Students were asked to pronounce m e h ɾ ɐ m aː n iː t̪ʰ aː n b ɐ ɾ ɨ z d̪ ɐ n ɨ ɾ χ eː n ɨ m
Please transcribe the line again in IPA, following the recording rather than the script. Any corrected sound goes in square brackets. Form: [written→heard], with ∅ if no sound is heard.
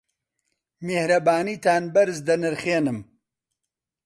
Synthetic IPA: m e h ɾ ɐ [m→b] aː n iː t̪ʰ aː n b ɐ ɾ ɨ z d̪ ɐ n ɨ ɾ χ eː n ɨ m